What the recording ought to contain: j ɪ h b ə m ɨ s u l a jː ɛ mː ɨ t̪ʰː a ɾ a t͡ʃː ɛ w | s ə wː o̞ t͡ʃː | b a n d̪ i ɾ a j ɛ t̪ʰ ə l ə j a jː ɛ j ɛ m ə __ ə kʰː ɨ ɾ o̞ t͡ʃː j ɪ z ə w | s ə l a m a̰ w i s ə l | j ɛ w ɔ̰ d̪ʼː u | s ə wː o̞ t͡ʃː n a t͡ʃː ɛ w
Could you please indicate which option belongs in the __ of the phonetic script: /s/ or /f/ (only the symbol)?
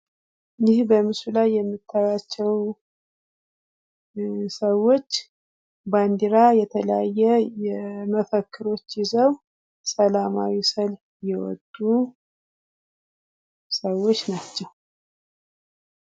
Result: f